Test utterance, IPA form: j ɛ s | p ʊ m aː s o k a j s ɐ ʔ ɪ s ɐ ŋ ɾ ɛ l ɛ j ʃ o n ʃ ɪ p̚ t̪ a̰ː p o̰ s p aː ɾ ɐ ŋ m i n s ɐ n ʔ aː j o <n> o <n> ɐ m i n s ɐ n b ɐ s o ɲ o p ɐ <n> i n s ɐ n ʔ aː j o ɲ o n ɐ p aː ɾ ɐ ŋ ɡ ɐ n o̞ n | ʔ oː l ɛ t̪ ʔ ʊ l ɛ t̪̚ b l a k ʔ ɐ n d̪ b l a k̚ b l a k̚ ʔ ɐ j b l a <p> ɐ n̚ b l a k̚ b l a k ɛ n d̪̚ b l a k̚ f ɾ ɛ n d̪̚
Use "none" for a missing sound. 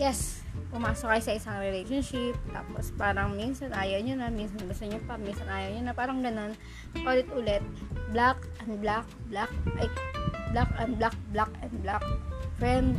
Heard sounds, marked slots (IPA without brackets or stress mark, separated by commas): ɲ, n, m, k